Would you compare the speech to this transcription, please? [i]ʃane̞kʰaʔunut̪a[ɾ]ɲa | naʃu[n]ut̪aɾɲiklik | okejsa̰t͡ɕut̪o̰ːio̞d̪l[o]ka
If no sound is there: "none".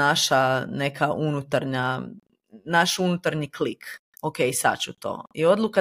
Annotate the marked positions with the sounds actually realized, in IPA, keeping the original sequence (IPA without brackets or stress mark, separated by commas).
a, ɾ, n, u